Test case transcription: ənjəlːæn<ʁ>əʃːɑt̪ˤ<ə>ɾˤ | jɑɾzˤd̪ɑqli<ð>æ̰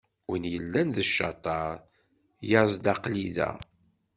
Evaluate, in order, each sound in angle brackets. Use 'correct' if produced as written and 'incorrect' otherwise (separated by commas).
incorrect, incorrect, correct